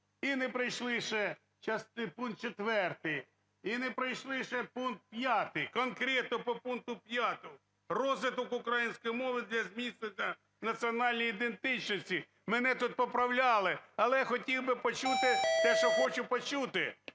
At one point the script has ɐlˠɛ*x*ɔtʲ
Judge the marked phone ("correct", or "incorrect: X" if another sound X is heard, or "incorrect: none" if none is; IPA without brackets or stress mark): correct